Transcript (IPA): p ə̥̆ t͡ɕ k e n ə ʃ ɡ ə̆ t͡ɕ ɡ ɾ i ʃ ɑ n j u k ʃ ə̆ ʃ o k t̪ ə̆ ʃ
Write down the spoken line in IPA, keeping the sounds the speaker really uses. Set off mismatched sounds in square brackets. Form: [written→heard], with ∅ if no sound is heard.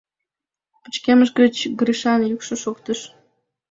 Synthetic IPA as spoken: p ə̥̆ t͡ɕ k e [n→m] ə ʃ ɡ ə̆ t͡ɕ ɡ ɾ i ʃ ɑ n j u k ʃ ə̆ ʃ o k t̪ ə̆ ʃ